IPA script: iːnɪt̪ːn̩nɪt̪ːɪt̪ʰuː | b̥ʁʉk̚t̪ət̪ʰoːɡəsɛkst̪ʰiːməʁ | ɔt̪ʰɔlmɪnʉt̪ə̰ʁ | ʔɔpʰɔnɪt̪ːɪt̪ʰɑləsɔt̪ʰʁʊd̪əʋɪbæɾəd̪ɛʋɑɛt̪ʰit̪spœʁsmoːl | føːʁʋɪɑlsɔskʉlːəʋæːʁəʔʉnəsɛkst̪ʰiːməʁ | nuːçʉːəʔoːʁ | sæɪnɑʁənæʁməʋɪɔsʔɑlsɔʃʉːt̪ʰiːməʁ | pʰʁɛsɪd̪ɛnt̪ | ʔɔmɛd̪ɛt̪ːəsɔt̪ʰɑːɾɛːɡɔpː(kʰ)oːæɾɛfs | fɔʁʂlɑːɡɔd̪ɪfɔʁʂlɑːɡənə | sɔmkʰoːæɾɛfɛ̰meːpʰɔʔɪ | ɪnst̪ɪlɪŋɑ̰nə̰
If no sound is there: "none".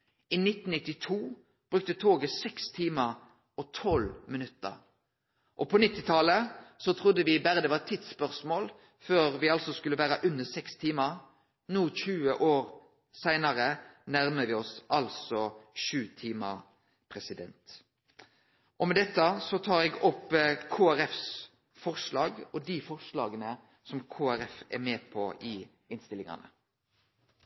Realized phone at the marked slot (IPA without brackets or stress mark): kʰ